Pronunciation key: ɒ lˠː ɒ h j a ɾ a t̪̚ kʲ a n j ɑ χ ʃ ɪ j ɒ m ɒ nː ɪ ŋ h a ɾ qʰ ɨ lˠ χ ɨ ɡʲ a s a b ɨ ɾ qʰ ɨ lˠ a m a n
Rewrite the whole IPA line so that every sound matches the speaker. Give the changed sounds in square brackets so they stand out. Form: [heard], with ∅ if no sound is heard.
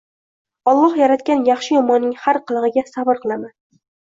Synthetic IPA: ɒ lˠː ɒ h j a ɾ a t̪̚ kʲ a n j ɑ χ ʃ ɪ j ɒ m ɒ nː ɪ ŋ h a ɾ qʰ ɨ lˠ [ʁ] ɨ ɡʲ a s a b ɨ ɾ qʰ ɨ lˠ a m a n